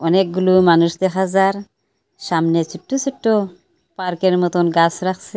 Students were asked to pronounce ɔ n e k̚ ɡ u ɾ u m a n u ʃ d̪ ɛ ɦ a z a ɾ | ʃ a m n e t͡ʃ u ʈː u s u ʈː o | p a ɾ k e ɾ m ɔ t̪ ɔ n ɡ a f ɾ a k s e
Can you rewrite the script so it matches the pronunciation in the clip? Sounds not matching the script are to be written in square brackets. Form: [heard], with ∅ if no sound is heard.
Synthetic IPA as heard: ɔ n e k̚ ɡ u [l] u m a n u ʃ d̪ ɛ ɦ a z a ɾ | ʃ a m n e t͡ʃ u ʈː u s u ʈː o | p a ɾ k e ɾ m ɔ t̪ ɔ n ɡ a [s] ɾ a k s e